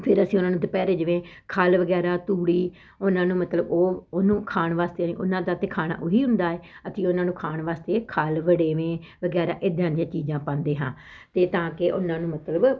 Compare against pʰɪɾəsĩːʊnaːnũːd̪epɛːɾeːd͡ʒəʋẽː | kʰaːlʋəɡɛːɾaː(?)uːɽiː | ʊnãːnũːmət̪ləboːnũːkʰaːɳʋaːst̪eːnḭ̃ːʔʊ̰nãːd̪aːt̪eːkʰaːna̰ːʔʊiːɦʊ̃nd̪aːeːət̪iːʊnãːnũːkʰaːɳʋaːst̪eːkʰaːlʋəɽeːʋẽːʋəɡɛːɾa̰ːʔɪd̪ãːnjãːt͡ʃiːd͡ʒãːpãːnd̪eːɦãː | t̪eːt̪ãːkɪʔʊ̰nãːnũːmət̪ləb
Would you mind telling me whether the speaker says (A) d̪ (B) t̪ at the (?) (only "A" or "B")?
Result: B